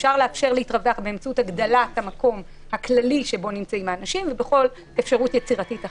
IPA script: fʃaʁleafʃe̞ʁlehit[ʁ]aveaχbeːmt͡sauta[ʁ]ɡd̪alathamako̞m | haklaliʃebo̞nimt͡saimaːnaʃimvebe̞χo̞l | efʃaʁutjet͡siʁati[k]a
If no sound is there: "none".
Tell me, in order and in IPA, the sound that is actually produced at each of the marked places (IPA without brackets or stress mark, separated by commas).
ʁ, none, t